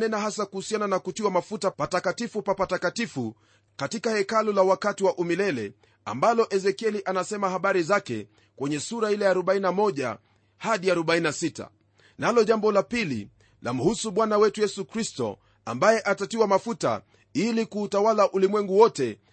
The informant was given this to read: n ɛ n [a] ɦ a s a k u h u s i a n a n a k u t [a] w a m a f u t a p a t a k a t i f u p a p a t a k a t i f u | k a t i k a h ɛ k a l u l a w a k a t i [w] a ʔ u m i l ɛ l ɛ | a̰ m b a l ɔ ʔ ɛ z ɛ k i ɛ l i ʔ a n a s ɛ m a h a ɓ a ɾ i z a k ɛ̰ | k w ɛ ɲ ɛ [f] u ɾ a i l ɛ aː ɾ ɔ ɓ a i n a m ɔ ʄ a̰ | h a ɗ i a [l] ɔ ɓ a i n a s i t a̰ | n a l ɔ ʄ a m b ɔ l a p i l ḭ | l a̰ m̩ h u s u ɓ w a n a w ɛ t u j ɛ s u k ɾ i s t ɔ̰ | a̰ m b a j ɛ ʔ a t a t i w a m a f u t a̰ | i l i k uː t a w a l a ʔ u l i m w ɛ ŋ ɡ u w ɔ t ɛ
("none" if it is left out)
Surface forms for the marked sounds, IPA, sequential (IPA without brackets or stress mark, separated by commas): a, i, w, s, ɾ